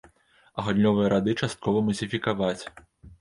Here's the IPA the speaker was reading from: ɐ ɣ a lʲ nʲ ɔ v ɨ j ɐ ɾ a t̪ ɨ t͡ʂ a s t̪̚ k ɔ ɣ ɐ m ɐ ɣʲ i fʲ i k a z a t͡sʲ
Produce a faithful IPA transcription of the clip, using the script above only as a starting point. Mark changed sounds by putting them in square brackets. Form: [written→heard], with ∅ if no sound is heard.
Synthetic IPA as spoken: ɐ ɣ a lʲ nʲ ɔ v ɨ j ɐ ɾ a [t̪→d̪] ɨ t͡ʂ a s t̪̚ k ɔ [ɣ→v] ɐ m ɐ [ɣʲ→zʲ] i fʲ i k a [z→v] a t͡sʲ